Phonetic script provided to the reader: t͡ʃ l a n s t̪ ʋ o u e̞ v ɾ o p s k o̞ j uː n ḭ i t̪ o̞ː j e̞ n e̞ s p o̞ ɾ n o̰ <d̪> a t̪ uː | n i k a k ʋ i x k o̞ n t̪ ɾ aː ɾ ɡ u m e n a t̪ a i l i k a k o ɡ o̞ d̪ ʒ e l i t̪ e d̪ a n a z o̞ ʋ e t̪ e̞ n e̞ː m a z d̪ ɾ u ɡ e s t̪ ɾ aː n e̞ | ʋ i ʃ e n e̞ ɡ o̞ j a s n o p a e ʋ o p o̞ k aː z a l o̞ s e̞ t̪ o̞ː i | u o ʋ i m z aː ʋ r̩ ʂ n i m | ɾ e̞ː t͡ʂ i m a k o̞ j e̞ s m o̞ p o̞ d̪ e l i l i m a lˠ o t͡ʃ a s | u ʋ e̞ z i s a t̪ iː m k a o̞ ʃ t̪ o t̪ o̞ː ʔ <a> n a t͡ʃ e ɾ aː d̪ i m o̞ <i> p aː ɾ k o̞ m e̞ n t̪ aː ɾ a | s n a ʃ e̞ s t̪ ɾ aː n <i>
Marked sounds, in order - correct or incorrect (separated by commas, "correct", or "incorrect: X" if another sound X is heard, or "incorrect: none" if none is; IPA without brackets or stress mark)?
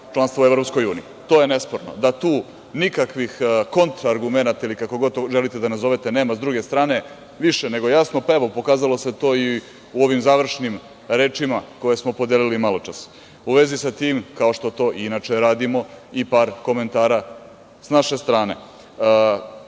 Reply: correct, incorrect: i, correct, incorrect: e